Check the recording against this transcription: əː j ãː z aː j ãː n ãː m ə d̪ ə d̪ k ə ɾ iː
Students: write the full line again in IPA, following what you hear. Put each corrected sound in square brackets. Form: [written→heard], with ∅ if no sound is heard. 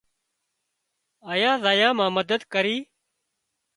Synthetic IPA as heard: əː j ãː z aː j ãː [n→m] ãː m ə d̪ ə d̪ k ə ɾ iː